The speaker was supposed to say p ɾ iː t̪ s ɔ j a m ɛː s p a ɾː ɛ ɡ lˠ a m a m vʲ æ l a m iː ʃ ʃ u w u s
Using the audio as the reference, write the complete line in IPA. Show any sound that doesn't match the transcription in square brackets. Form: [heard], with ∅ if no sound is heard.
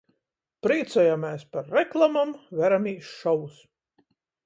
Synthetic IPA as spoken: p ɾ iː t̪ s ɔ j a m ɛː s p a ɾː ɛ [k] lˠ a m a m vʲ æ [ɾ] a m iː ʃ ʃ [ɔ] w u s